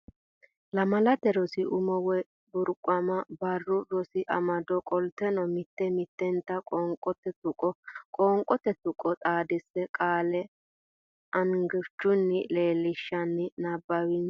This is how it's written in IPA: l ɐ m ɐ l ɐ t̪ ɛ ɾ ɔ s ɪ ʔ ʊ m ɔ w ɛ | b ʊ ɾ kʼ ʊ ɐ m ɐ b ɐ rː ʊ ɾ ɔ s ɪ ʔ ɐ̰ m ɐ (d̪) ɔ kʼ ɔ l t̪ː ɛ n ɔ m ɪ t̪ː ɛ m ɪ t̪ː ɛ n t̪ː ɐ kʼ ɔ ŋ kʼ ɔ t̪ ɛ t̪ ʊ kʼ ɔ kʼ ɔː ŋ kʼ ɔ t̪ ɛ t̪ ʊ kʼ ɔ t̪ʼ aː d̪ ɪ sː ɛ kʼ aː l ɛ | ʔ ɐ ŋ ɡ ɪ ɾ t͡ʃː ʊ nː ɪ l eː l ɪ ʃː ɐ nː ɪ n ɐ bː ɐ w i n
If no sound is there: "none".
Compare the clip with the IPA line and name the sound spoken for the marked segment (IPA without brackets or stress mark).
d̪